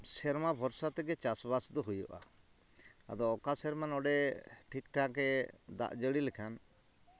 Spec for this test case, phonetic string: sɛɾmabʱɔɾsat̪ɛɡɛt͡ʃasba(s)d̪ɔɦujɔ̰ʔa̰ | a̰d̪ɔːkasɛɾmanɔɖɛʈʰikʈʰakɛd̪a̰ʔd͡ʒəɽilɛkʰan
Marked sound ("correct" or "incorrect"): correct